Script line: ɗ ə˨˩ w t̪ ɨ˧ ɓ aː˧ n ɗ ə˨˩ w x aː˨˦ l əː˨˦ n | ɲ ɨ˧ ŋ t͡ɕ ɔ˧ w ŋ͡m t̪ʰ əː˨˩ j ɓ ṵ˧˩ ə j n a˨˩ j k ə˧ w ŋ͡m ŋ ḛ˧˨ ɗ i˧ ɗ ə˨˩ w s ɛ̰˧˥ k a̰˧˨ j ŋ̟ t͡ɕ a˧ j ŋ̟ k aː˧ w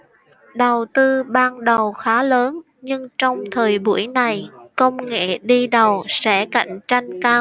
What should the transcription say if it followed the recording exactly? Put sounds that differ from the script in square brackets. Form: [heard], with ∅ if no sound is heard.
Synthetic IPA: ɗ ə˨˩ w t̪ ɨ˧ ɓ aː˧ n ɗ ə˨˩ w x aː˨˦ l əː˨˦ n | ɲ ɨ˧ ŋ t͡ɕ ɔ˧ w ŋ͡m t̪ʰ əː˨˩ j ɓ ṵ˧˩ ə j n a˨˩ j k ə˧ w ŋ͡m ŋ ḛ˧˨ ɗ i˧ ɗ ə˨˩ w s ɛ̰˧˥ k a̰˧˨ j ŋ̟ t͡ɕ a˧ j ŋ̟ k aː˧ w